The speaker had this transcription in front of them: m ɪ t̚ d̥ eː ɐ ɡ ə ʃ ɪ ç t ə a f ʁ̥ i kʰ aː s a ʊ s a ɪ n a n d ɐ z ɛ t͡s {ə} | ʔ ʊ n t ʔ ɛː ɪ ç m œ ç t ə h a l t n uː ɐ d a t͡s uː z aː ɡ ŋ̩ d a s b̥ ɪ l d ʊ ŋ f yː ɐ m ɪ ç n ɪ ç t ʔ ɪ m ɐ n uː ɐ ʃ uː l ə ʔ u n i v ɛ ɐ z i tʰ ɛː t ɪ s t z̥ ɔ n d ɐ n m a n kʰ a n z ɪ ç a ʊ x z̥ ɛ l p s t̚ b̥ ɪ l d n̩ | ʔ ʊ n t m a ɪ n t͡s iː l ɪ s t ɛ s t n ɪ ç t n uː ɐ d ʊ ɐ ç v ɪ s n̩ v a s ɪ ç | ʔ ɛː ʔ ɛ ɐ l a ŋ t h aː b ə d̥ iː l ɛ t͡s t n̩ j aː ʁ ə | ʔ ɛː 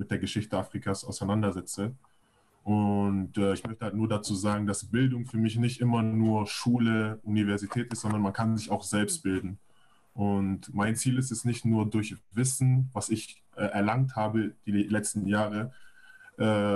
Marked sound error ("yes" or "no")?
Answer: no